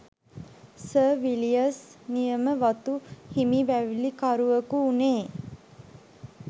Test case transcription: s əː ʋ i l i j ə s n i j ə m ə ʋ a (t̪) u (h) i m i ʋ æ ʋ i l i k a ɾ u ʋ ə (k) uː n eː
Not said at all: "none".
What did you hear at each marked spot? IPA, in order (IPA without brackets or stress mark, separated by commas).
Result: t̪, h, k